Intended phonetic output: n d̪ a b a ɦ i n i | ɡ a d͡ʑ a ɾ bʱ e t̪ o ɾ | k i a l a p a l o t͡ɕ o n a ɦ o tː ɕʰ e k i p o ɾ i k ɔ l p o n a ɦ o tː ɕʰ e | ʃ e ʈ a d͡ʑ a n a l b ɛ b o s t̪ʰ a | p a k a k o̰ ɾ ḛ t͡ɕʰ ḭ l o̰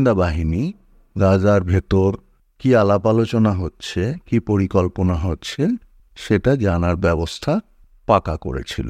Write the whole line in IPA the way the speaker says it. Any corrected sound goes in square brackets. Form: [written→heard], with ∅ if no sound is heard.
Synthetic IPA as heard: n d̪ a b a ɦ i n i | ɡ a d͡ʑ a ɾ bʱ e t̪ o ɾ | k i a l a p a l o t͡ɕ o n a ɦ o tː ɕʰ e k i p o ɾ i k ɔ l p o n a ɦ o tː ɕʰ e | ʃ e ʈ a d͡ʑ a n a [l→ɾ] b ɛ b o s t̪ʰ a | p a k a k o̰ ɾ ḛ t͡ɕʰ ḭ l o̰